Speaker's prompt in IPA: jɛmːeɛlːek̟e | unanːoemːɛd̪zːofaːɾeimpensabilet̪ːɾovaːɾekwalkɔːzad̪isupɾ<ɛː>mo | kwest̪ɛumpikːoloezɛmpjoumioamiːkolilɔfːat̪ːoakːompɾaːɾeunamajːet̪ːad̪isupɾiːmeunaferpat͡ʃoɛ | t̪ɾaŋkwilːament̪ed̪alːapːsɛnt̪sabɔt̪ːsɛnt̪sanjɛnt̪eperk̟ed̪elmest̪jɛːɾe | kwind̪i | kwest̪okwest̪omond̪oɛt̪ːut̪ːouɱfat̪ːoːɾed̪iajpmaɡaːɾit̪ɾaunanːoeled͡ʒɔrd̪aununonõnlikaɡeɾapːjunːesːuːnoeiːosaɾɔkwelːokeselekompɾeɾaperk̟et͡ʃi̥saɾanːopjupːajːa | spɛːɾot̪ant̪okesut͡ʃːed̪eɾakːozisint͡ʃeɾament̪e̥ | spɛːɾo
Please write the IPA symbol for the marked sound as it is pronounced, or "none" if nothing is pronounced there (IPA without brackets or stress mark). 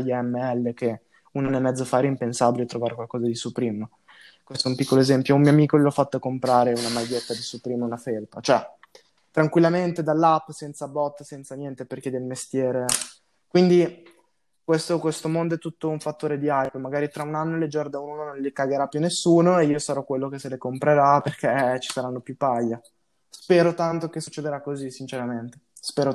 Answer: iː